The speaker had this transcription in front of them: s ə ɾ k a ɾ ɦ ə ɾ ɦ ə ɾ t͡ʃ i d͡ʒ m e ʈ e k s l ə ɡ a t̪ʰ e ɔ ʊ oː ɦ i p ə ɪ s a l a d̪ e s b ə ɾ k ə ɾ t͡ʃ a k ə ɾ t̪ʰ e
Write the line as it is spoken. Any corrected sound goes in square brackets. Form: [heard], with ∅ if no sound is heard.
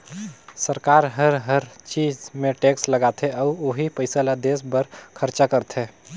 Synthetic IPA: s ə ɾ k a ɾ ɦ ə ɾ ɦ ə ɾ t͡ʃ i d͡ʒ m e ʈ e k s l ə ɡ a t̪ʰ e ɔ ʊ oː ɦ i p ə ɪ s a l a d̪ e s b ə ɾ [kʰ] ə ɾ t͡ʃ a k ə ɾ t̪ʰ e